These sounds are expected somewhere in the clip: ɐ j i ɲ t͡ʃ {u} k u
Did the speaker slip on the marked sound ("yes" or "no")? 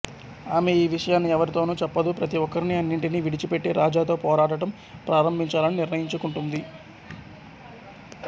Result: no